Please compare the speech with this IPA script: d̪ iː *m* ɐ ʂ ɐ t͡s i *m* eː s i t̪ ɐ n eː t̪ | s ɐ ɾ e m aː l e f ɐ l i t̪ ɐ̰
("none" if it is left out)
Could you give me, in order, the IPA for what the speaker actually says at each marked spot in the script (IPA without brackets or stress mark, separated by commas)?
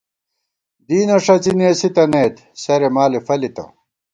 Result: n, n